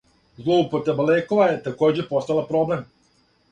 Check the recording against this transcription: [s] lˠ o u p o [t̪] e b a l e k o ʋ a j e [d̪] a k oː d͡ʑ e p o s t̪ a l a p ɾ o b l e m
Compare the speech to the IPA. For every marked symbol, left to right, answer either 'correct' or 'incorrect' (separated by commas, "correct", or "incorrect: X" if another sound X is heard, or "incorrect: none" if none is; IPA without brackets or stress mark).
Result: incorrect: z, correct, incorrect: t̪